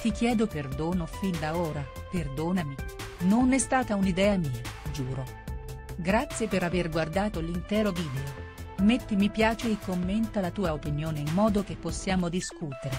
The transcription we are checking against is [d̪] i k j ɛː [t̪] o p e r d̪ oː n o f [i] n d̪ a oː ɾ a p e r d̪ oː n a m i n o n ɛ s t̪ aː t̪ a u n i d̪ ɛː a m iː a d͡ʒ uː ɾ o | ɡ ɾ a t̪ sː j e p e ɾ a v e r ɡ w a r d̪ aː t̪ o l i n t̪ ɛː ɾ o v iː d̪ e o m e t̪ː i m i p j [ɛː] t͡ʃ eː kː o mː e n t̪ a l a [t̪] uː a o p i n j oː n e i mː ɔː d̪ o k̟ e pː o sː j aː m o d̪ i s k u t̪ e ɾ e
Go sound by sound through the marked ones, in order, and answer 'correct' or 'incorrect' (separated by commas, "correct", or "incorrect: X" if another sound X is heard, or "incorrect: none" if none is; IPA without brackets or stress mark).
incorrect: t̪, incorrect: d̪, correct, incorrect: aː, correct